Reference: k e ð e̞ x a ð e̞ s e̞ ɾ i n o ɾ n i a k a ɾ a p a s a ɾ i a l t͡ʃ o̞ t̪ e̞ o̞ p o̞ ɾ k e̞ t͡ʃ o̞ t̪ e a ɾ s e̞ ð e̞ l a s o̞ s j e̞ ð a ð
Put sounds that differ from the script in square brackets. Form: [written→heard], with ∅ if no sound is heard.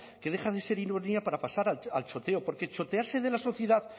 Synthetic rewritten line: k e ð e̞ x a ð e̞ s e̞ ɾ i n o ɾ n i a [k→p] a ɾ a p a s a ɾ [i→a] a l t͡ʃ o̞ t̪ e̞ o̞ p o̞ ɾ k e̞ t͡ʃ o̞ t̪ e a ɾ s e̞ ð e̞ l a s o̞ [s→θ] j e̞ ð a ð